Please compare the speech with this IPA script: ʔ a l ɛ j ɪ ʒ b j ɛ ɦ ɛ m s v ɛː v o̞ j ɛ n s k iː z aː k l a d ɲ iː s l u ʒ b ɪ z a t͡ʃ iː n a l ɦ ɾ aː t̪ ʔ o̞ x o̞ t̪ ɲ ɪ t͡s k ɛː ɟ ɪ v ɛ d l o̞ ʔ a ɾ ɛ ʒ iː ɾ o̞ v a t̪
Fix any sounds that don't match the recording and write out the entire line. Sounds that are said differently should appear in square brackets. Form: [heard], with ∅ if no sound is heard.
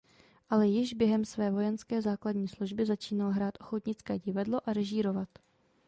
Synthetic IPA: ʔ a l ɛ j ɪ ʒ b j ɛ ɦ ɛ m s v ɛː v o̞ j ɛ n s k [ɛː] z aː k l a d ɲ iː s l u ʒ b ɪ z a t͡ʃ iː n a l ɦ ɾ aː t̪ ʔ o̞ x o̞ t̪ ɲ ɪ t͡s k ɛː ɟ ɪ v [a] d l o̞ ʔ a ɾ ɛ ʒ iː ɾ o̞ v a t̪